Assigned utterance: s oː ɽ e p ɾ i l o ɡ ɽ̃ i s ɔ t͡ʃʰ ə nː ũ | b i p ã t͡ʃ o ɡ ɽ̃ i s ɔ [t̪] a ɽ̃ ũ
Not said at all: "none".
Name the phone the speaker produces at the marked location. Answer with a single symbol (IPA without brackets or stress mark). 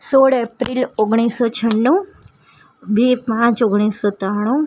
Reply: t̪